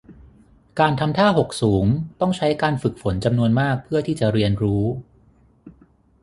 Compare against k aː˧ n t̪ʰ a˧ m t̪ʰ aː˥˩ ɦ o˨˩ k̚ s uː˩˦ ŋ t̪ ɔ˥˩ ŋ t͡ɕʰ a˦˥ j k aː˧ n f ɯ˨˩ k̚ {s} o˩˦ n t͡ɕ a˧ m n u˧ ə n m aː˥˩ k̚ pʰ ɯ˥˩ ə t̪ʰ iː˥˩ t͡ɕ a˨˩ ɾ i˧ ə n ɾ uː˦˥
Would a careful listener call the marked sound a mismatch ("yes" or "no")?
yes